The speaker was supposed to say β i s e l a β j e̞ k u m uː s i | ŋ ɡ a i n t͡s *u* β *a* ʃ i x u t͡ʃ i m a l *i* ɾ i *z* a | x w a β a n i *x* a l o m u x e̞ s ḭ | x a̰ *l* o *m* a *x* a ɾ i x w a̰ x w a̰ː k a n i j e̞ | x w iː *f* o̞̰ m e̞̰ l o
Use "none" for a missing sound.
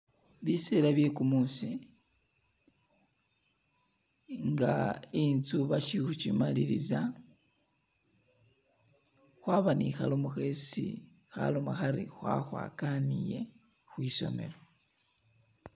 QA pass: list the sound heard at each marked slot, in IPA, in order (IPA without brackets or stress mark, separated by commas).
u, a, i, z, x, l, m, x, s